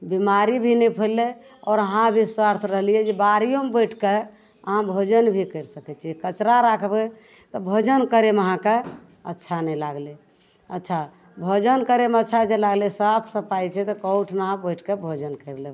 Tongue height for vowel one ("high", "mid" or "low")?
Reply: high